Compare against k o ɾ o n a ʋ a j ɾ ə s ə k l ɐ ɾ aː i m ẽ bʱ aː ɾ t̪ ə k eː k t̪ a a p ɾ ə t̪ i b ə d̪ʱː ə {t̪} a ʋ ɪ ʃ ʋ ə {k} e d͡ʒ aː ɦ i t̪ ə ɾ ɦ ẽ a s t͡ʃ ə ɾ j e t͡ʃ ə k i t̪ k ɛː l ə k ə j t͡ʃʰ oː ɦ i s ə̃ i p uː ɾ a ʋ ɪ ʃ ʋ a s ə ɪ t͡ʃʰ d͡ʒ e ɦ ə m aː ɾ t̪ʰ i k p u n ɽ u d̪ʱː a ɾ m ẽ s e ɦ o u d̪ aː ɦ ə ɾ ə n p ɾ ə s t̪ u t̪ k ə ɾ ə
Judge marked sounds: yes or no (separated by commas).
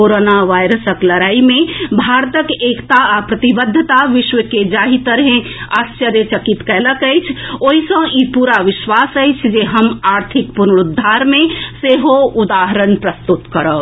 yes, yes